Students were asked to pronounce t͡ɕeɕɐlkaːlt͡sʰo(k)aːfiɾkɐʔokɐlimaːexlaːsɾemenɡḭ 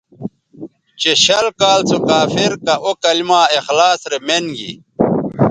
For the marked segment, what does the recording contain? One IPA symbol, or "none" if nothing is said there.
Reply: k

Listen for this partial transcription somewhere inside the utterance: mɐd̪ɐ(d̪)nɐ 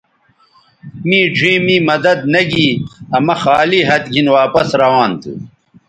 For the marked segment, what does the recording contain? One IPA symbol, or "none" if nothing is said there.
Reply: d̪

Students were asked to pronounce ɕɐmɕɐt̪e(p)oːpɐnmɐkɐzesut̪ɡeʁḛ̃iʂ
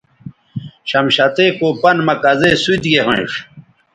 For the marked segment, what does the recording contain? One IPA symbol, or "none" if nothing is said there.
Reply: k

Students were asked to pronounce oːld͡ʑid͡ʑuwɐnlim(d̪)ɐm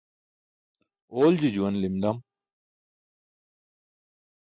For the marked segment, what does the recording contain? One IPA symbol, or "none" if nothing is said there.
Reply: d̪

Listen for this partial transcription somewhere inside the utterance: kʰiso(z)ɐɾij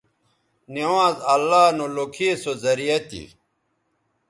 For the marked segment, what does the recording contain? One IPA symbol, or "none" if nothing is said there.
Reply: z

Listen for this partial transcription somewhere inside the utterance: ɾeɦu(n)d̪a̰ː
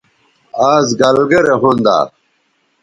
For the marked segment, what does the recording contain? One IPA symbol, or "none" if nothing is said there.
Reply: n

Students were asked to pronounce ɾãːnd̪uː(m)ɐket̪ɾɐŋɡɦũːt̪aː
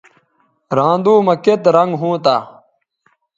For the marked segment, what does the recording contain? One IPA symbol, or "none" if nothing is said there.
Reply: m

